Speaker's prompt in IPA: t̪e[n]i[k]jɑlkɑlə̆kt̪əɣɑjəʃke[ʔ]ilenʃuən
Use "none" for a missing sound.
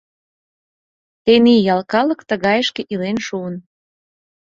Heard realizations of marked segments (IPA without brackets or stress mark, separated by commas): n, none, ʔ